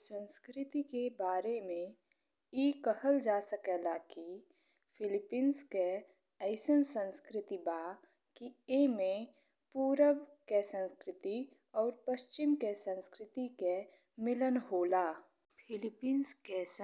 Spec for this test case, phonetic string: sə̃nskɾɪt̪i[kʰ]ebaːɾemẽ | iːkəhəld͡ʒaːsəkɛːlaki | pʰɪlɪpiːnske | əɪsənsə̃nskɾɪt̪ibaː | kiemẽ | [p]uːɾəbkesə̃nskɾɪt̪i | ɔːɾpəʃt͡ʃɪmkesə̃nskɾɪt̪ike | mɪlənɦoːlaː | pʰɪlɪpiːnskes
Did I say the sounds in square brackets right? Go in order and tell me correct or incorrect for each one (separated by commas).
incorrect, correct